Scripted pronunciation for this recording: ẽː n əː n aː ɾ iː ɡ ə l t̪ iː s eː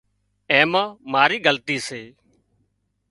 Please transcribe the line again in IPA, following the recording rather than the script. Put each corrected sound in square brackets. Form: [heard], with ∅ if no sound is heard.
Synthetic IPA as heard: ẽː [m] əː [m] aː ɾ iː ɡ ə l t̪ iː s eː